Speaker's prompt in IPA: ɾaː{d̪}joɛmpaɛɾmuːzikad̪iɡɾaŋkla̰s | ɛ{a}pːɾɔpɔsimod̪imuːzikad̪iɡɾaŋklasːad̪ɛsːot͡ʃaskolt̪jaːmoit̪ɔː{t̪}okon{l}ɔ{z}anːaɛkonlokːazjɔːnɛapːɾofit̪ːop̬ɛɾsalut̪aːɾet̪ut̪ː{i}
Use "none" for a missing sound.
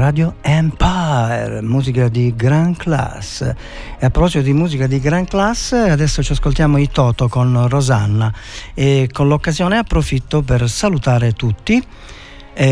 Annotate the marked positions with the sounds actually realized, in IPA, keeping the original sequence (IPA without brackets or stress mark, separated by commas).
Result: d̪, a, t̪, r, z, i